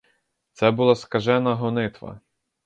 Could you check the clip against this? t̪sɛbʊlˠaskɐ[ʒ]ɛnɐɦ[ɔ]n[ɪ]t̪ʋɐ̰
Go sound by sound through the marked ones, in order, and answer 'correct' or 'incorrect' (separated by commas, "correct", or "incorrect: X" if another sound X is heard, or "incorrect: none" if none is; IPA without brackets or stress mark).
correct, correct, correct